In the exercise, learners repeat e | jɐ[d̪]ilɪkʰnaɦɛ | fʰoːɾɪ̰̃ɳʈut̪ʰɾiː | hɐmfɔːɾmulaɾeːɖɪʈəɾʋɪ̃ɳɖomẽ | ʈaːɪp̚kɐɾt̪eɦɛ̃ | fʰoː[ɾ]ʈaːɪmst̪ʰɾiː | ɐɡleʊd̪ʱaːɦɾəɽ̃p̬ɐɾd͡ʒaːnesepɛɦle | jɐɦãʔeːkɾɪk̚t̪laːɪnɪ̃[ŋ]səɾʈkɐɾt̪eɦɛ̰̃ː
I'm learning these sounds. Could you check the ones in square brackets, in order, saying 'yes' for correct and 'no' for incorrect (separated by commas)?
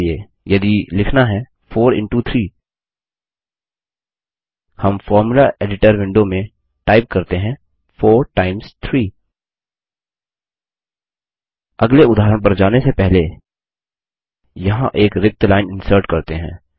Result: yes, yes, no